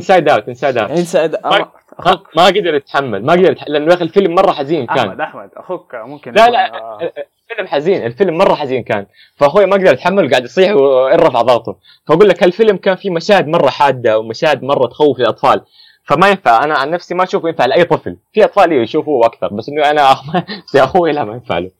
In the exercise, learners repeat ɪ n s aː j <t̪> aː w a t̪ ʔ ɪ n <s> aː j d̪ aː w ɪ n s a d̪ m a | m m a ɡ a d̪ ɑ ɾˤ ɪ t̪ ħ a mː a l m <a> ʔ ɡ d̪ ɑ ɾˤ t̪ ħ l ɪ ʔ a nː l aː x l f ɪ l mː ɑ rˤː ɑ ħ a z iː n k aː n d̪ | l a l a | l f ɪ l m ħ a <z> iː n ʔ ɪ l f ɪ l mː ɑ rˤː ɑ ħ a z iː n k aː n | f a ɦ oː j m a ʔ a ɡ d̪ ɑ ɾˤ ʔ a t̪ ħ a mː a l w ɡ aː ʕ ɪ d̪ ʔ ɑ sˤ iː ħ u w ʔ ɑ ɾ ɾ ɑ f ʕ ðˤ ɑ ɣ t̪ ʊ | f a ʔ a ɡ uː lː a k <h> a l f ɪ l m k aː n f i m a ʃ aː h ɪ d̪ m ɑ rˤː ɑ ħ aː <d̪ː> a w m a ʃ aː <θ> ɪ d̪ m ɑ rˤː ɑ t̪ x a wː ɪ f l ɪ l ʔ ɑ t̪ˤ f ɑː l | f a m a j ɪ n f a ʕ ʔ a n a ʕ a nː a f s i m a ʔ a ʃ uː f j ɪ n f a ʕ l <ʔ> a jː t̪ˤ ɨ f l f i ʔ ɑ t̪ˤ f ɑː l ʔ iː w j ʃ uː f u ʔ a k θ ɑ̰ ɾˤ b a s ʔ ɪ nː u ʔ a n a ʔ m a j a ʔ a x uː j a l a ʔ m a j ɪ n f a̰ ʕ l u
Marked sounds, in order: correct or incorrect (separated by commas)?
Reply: incorrect, correct, correct, correct, correct, correct, incorrect, correct